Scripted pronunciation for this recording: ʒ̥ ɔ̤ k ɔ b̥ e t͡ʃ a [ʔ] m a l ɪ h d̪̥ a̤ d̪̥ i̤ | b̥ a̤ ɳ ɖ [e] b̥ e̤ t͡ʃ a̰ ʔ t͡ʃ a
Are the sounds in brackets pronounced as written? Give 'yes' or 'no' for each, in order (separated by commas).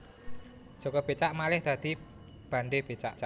yes, yes